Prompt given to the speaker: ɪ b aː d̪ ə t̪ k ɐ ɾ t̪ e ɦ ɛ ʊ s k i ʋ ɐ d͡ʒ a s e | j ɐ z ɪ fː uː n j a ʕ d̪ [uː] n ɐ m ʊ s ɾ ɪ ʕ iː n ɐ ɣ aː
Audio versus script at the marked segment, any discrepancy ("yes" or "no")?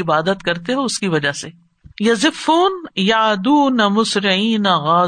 no